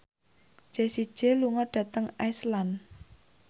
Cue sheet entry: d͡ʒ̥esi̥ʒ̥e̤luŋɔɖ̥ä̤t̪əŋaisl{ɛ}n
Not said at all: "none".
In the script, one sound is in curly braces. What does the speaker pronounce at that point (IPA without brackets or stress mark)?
a